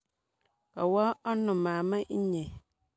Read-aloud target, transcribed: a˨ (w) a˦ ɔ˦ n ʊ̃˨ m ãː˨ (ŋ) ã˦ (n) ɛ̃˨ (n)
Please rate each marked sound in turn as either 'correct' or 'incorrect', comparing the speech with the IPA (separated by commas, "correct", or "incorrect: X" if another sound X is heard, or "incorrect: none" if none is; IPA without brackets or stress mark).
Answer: correct, incorrect: m, incorrect: ɲ, incorrect: none